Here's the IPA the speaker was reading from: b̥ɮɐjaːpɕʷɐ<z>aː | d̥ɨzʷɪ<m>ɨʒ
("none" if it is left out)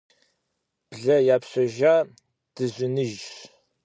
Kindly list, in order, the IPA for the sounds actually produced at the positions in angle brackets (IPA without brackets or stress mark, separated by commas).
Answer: ʒ, n